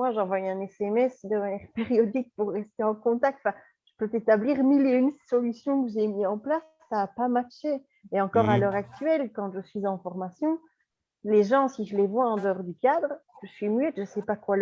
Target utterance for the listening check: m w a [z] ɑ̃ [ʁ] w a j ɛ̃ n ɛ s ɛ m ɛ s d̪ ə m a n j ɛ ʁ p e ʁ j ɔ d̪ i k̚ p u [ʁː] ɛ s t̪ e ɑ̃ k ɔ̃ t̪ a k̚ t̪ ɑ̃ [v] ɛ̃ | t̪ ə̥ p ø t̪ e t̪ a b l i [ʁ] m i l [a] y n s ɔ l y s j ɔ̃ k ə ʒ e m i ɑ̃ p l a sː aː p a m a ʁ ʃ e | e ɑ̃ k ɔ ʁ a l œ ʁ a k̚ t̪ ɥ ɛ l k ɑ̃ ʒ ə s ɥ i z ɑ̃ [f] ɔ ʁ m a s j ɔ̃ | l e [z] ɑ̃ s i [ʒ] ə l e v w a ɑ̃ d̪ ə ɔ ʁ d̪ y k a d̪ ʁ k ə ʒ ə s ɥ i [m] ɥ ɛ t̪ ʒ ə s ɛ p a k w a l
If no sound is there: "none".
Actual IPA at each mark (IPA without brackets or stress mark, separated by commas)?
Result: ʒ, v, ʁː, f, ʁ, e, f, ʒ, ʒ, m